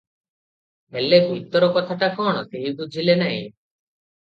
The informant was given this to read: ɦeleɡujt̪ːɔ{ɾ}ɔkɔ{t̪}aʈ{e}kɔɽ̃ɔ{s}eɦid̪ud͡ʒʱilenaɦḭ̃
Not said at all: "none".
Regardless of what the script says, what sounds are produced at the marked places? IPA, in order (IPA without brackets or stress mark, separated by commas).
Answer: ɾ, t̪ʰ, a, s